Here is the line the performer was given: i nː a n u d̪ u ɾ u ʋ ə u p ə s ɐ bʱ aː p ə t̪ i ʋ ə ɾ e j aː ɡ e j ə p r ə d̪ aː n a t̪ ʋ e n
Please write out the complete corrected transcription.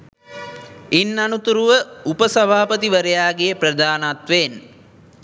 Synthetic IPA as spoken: i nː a n u t̪ u ɾ u ʋ ə u p ə s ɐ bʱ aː p ə t̪ i ʋ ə ɾ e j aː ɡ e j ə p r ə d̪ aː n a t̪ ʋ e n